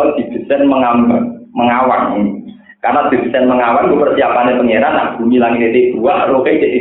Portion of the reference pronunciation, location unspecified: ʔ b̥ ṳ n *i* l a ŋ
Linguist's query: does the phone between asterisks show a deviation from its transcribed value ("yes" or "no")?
no